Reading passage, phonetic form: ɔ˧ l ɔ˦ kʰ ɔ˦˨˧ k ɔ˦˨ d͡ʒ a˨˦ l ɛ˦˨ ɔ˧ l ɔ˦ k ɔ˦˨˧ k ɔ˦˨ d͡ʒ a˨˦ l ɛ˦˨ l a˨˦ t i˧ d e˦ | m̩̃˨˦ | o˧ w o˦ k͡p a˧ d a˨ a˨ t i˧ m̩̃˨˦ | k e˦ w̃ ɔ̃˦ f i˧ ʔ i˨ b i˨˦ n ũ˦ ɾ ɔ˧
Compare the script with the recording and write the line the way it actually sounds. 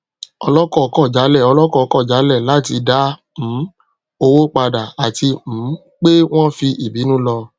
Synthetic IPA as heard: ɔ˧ l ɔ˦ k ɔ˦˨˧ k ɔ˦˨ d͡ʒ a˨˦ l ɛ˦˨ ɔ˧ l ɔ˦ k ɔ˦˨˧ k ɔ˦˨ d͡ʒ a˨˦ l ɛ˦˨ l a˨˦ t i˧ d a˦ | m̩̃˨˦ | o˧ w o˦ k͡p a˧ d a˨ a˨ t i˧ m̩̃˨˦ | k͡p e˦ w̃ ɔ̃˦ f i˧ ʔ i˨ b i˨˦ n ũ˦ l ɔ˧